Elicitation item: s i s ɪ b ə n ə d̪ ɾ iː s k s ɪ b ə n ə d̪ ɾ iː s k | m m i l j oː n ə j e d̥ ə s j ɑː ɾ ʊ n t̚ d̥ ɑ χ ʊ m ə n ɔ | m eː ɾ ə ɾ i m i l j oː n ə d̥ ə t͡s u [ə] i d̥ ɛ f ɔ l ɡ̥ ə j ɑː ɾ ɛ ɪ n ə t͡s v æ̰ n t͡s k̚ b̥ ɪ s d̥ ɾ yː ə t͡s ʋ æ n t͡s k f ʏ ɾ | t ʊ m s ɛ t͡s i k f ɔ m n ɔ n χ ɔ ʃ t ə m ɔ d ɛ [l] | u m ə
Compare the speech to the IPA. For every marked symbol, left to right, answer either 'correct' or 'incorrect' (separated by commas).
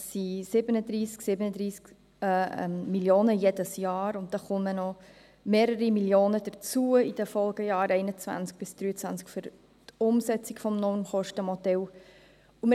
correct, correct